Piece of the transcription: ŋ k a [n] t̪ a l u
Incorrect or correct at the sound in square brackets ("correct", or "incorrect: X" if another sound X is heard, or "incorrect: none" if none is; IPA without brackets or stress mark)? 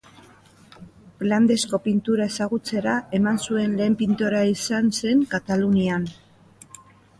incorrect: none